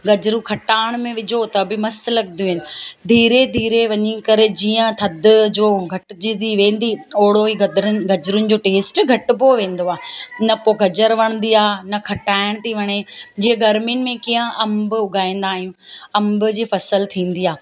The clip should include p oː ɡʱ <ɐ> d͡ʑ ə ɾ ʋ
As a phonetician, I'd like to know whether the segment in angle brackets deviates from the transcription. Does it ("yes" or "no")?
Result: no